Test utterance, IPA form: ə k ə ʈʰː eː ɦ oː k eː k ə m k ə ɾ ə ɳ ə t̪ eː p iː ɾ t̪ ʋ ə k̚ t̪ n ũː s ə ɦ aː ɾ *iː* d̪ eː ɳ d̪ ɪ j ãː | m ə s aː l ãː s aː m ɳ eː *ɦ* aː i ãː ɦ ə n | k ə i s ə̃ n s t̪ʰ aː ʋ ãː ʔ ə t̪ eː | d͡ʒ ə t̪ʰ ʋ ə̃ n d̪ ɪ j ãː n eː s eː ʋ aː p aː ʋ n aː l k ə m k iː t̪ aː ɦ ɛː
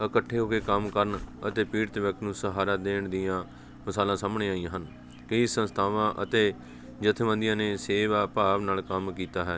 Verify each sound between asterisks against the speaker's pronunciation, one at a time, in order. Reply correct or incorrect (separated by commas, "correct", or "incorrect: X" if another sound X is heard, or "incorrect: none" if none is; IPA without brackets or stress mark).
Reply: incorrect: aː, incorrect: none